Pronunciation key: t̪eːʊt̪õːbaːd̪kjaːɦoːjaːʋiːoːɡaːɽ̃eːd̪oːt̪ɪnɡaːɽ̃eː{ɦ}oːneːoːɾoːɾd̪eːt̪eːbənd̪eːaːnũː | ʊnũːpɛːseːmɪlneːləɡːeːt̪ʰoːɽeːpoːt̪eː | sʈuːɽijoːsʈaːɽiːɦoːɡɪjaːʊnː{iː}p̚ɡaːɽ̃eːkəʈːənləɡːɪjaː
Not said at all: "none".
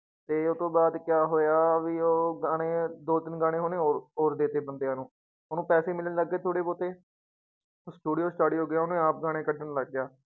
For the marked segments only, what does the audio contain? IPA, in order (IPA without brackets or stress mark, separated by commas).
ɦ, aː